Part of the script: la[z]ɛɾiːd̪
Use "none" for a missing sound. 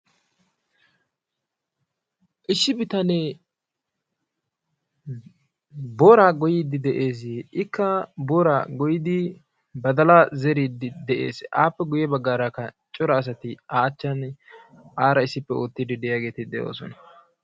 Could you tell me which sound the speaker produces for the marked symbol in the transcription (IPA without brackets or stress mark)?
z